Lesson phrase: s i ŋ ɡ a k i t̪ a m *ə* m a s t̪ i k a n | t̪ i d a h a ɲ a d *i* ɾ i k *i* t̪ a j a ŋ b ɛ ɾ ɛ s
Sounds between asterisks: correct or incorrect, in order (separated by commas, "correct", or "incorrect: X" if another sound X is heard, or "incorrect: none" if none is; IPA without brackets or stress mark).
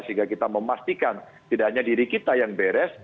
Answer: correct, correct, correct